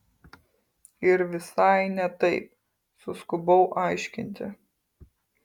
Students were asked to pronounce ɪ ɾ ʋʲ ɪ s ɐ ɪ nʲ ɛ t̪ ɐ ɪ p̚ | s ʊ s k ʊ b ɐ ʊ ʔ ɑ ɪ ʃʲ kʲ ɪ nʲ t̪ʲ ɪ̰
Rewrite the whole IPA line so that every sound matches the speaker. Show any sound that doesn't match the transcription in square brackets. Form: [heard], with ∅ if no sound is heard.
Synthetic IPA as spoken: ɪ ɾ ʋʲ ɪ s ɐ ɪ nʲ ɛ t̪ ɐ ɪ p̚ | s ʊ s k ʊ b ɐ ʊ ʔ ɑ ɪ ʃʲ kʲ ɪ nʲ t̪ʲ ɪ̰